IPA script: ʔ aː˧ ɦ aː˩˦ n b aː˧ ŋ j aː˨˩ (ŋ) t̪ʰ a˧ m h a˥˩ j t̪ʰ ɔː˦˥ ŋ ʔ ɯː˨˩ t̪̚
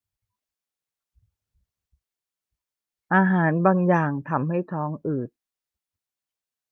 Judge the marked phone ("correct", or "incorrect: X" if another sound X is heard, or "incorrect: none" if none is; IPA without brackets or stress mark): correct